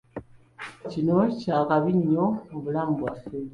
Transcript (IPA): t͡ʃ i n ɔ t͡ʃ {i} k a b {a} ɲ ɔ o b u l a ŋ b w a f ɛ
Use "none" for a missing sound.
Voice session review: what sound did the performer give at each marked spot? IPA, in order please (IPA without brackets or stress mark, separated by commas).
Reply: a, i